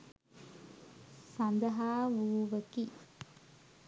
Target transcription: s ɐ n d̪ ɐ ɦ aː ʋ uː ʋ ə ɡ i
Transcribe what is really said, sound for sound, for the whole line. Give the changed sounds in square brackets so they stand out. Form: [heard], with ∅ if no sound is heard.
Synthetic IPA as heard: s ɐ n d̪ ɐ ɦ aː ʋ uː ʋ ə [k] i